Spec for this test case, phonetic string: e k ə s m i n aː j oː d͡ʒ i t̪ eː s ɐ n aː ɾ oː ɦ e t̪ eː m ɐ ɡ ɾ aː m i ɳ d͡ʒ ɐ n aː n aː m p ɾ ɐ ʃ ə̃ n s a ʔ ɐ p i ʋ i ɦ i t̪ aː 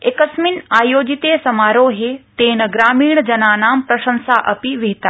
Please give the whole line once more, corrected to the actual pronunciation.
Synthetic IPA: e k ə s m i n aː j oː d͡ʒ i t̪ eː s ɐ m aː ɾ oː ɦ e t̪ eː n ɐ ɡ ɾ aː m iː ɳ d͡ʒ ɐ n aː n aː m p ɾ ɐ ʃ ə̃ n s a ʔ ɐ p i ʋ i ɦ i t̪ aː